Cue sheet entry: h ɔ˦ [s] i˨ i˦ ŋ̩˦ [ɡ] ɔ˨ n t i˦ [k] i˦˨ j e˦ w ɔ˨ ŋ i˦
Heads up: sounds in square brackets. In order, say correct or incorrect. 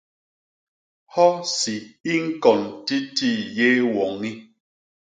correct, incorrect: k, incorrect: t

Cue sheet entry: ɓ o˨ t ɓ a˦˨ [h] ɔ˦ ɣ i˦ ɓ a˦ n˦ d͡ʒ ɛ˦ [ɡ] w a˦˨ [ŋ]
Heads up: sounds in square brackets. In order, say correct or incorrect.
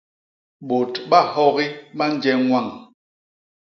correct, incorrect: ŋ, correct

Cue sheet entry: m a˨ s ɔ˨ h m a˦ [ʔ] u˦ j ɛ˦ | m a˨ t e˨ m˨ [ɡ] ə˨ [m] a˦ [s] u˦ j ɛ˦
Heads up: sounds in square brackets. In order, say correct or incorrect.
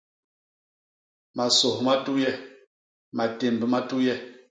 incorrect: t, incorrect: b, correct, incorrect: t

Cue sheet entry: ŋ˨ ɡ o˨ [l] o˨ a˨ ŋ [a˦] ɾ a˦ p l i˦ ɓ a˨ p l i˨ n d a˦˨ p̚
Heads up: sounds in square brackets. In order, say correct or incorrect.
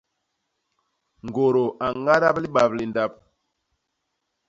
incorrect: ɾ, correct

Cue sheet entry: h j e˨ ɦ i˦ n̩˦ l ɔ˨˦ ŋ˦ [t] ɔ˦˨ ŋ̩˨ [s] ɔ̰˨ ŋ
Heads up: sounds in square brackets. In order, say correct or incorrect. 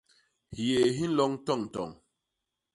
correct, incorrect: t

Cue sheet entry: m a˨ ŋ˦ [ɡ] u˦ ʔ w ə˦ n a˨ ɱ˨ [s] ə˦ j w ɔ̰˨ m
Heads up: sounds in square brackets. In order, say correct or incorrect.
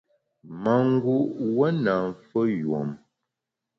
correct, incorrect: f

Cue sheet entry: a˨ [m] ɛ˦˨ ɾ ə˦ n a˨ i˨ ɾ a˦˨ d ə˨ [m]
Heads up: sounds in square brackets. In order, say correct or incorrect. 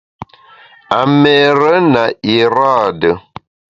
correct, incorrect: none

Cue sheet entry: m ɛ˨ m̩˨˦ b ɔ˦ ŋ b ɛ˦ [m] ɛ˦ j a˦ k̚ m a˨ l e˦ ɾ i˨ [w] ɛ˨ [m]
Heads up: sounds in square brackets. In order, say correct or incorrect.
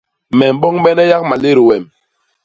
incorrect: n, correct, correct

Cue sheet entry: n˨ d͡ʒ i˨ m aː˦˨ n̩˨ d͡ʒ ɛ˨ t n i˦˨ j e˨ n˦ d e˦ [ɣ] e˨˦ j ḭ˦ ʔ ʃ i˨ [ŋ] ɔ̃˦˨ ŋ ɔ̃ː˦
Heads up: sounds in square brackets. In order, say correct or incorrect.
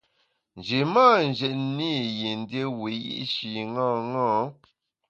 incorrect: w, correct

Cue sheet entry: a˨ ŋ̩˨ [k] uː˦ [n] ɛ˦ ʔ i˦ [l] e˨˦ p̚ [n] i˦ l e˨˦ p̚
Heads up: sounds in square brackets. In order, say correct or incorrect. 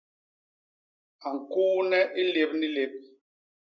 correct, correct, correct, correct

